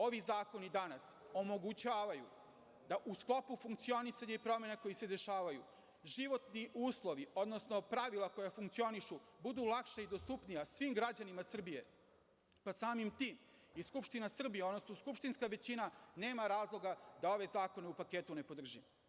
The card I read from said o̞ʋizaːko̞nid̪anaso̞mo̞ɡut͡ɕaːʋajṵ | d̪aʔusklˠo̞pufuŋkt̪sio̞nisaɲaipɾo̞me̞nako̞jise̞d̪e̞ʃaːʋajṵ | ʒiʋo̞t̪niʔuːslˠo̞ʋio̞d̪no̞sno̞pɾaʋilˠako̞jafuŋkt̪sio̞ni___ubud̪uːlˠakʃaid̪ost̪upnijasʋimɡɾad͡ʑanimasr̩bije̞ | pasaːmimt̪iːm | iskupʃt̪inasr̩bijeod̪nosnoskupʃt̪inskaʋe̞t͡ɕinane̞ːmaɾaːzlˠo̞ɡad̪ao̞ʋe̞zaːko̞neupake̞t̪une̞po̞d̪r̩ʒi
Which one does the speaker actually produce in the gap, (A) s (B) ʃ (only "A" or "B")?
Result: B